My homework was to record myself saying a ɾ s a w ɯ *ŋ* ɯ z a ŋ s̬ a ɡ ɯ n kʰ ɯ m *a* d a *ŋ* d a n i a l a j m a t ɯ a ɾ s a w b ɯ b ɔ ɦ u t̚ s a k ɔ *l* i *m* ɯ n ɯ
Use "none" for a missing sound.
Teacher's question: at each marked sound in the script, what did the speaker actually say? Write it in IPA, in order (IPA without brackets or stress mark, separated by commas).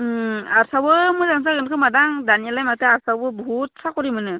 m, a, ŋ, ɾ, m